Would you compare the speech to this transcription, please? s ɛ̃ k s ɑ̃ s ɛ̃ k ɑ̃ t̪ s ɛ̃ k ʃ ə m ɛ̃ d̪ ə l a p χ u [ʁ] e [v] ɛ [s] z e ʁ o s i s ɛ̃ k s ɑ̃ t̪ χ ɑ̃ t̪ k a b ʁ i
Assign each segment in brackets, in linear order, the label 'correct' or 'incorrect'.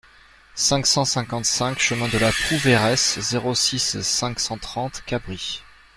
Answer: incorrect: v, incorrect: ʁ, correct

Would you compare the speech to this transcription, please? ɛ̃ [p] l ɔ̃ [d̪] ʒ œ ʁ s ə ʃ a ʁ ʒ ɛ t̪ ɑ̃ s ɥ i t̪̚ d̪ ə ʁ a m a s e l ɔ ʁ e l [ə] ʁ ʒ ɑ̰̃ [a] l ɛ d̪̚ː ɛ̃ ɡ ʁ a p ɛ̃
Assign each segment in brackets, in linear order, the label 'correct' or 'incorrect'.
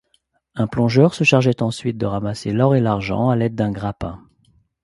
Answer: correct, incorrect: none, incorrect: a, correct

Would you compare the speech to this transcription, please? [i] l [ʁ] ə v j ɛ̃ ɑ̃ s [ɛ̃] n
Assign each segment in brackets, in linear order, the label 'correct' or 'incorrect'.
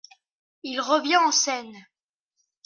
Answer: correct, correct, incorrect: ɛ

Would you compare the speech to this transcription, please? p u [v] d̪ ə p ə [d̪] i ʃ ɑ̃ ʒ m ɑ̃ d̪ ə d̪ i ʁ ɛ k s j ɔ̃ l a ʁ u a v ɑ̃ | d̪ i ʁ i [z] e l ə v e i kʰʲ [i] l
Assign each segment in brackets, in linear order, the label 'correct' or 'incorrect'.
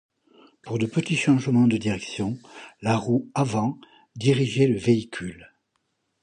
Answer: incorrect: ʁ, incorrect: t̪, incorrect: ʒ, incorrect: y

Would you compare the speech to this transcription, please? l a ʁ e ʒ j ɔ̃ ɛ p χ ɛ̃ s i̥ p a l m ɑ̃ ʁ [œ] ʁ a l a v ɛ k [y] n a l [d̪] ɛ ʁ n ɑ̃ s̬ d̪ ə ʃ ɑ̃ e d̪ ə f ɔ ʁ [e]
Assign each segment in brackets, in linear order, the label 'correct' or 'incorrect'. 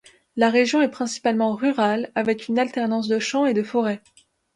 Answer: incorrect: y, correct, incorrect: t̪, incorrect: ɛ

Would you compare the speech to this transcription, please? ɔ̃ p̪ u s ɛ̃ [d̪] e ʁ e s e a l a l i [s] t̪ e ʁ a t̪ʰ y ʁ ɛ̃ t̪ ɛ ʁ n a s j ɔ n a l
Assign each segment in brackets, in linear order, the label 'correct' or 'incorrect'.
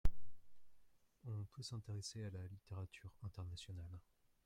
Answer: incorrect: t̪, incorrect: none

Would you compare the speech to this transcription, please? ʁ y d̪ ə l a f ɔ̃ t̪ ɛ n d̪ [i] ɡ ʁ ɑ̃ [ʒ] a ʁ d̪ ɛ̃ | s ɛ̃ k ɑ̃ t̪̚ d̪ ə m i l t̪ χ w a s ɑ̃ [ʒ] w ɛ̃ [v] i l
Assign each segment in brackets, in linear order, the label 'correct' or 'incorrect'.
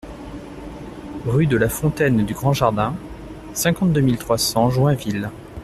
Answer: incorrect: y, correct, correct, correct

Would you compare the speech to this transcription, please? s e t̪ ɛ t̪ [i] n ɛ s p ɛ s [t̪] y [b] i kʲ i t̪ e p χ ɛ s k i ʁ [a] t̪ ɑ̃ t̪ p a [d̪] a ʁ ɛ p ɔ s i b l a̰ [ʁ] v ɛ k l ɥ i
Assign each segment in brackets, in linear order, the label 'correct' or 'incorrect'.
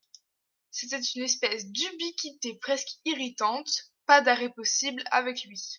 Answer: incorrect: y, incorrect: d̪, correct, incorrect: i, correct, incorrect: none

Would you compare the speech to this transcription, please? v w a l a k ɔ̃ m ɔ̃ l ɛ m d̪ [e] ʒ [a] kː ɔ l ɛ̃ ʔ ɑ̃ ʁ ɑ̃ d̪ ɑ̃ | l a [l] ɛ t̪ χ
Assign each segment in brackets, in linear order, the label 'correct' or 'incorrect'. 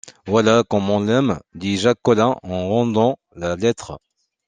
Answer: incorrect: i, correct, correct

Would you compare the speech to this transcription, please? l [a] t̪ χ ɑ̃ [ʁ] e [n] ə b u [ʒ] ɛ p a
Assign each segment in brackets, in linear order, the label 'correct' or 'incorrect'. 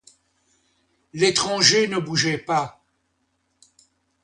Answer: incorrect: e, incorrect: ʒ, correct, correct

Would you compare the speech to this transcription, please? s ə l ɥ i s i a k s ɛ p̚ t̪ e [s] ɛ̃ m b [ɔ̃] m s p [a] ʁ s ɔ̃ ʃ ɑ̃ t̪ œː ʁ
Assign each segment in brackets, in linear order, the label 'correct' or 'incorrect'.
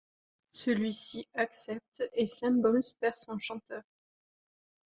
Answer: correct, incorrect: ɔ, incorrect: ɛ

